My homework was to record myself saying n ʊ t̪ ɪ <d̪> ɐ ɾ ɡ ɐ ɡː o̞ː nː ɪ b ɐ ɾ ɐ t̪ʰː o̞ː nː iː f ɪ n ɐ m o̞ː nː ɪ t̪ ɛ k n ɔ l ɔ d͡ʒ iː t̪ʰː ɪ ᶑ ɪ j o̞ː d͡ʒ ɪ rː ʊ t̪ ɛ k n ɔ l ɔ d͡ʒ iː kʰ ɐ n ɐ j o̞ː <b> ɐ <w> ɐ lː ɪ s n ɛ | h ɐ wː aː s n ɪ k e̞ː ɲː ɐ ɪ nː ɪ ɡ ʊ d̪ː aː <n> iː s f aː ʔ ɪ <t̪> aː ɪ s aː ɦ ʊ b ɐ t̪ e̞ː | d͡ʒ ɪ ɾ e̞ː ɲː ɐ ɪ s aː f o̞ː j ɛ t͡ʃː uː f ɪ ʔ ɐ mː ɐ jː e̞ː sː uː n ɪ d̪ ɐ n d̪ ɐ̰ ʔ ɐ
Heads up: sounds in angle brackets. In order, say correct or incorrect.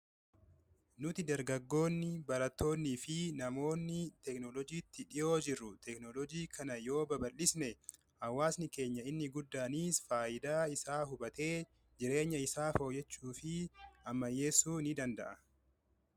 correct, correct, incorrect: b, correct, incorrect: d̪

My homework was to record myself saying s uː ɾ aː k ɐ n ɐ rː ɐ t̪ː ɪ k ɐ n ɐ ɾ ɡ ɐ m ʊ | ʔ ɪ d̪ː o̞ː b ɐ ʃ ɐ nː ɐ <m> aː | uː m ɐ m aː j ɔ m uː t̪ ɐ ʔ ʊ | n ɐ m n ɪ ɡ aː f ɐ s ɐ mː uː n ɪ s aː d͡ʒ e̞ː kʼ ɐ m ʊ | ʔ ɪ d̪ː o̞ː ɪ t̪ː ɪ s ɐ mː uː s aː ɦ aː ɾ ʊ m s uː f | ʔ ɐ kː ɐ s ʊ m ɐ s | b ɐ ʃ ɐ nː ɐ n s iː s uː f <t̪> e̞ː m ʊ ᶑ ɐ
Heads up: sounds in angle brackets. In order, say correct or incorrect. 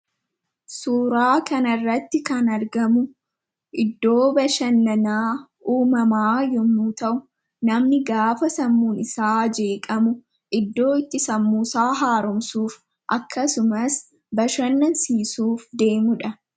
incorrect: n, incorrect: d̪

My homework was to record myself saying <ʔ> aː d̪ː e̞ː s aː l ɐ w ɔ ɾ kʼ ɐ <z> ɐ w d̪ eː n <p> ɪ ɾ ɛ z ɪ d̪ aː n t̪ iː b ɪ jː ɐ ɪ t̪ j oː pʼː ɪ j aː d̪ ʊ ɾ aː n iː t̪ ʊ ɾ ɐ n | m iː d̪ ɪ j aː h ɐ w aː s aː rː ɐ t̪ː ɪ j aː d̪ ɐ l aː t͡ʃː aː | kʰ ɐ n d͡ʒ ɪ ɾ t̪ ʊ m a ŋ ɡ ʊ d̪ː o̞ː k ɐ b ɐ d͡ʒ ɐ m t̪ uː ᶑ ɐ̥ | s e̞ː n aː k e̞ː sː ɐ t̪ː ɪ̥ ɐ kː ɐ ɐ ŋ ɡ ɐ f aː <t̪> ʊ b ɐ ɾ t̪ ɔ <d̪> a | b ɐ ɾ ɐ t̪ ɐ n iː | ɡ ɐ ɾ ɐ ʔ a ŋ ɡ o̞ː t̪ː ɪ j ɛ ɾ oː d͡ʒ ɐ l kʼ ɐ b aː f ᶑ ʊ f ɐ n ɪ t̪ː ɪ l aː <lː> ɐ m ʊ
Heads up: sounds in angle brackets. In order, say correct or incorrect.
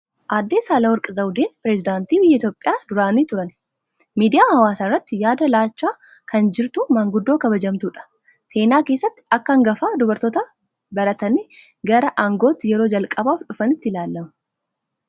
correct, correct, correct, incorrect: d̪, incorrect: t̪, correct

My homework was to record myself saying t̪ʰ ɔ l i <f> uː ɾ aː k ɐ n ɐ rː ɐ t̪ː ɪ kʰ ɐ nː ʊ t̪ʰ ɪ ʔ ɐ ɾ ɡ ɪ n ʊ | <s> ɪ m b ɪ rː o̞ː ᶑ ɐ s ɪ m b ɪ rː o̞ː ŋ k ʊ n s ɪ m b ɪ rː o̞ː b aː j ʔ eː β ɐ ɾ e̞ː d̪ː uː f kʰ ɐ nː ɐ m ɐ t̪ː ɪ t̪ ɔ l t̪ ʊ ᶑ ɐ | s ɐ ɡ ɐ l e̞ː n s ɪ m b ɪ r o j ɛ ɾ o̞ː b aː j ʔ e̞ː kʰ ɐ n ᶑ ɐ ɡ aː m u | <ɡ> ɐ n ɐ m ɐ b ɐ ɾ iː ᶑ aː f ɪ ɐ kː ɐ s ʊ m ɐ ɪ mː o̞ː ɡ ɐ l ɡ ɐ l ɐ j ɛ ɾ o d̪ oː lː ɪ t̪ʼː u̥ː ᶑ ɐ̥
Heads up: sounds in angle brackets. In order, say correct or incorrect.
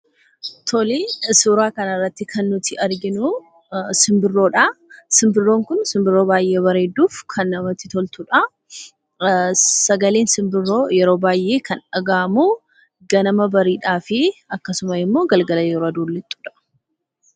incorrect: s, correct, correct

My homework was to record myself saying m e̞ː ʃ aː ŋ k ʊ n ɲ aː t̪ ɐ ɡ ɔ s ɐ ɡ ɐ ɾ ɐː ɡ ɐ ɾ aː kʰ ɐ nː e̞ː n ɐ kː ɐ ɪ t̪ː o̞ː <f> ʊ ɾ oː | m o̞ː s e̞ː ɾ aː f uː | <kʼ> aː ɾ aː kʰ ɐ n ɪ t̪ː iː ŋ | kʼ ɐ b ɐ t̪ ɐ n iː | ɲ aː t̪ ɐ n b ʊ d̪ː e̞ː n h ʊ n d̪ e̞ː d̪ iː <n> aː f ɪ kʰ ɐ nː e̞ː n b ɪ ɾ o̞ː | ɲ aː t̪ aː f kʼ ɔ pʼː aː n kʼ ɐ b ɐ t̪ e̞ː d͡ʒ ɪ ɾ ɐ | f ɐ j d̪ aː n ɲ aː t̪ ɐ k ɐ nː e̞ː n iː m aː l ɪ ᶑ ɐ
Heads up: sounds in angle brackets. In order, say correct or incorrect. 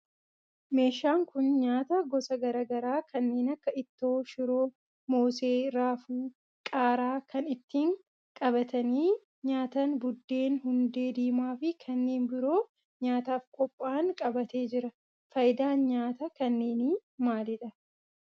incorrect: ʃ, correct, incorrect: m

